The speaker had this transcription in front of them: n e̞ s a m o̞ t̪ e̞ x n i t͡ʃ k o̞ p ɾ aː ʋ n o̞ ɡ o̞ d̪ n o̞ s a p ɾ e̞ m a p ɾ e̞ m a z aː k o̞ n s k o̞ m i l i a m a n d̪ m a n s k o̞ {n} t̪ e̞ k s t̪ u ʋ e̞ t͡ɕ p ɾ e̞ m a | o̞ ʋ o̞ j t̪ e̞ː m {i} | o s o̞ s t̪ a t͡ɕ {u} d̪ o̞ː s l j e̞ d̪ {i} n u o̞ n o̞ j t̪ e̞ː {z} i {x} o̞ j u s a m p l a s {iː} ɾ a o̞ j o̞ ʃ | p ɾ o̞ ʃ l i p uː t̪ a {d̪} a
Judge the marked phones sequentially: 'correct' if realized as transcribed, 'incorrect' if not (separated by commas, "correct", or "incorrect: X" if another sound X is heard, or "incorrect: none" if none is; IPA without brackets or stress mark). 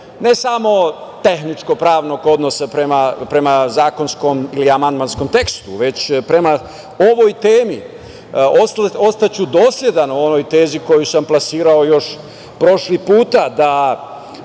incorrect: m, correct, correct, incorrect: a, correct, incorrect: k, correct, correct